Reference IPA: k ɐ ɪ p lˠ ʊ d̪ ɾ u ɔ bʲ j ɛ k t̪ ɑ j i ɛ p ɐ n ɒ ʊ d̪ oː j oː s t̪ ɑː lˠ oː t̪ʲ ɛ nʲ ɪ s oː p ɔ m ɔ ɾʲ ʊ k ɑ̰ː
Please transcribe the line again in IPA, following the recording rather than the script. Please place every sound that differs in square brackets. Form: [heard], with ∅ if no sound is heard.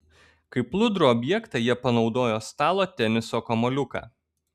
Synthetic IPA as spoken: k ɐ ɪ p lˠ ʊ d̪ ɾ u ɔ bʲ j ɛ k t̪ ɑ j i ɛ p ɐ n ɒ ʊ d̪ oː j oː s t̪ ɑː lˠ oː t̪ʲ ɛ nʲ ɪ s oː [k] ɔ m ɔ [lʲ] ʊ k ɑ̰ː